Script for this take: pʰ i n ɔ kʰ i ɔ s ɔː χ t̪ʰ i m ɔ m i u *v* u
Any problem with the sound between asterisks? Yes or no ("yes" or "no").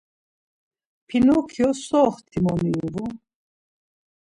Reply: no